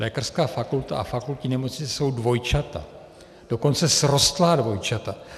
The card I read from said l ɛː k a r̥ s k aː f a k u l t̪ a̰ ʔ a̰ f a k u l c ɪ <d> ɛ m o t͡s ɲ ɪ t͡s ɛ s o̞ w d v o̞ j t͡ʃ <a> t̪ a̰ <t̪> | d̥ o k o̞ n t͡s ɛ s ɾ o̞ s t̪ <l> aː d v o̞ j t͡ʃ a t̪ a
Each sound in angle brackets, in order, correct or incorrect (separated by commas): incorrect, correct, incorrect, correct